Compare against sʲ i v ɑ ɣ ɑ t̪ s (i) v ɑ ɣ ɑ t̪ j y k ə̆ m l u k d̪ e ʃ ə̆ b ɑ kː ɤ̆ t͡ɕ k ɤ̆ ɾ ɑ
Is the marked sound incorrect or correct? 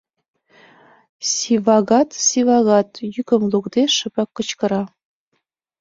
correct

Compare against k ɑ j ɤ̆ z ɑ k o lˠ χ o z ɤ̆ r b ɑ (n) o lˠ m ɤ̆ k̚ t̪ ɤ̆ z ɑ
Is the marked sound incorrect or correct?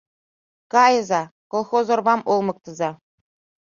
incorrect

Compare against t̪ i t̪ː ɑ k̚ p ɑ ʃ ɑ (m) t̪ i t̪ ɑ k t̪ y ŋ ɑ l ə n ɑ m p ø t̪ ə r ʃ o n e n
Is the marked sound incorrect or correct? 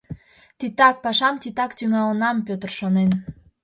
correct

